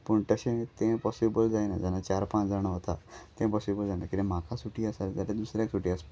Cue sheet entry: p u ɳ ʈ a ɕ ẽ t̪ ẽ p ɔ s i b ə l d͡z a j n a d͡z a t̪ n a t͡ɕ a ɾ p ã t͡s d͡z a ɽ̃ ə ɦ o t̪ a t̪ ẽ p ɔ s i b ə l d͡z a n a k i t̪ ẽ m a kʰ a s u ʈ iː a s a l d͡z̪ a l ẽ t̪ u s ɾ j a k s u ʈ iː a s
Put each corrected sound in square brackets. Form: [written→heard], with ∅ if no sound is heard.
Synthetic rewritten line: p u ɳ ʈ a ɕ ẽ t̪ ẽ p ɔ s i b ə l d͡z a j n a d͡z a [t̪→∅] n a t͡ɕ a ɾ p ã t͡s d͡z a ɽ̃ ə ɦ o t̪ a t̪ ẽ p ɔ s i b ə l d͡z a n a k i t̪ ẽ m a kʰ a s u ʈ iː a s a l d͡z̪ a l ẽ [t̪→d̪] u s ɾ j a k s u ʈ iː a s